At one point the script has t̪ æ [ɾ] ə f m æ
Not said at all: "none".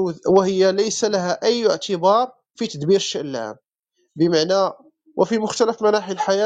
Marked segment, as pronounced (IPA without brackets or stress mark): l